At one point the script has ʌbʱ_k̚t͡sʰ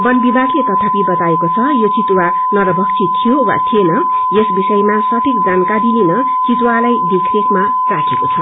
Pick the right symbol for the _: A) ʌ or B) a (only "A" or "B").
A